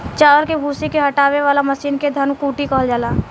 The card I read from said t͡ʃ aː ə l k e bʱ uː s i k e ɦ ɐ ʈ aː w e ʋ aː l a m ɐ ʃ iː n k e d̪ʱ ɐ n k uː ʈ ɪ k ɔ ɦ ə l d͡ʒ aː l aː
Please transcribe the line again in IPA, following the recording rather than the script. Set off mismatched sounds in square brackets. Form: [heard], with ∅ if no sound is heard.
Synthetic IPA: t͡ʃ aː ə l k e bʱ uː s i k e ɦ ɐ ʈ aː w e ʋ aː l a m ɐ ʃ iː n k e d̪ʱ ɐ n k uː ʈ [i] k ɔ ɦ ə l d͡ʒ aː l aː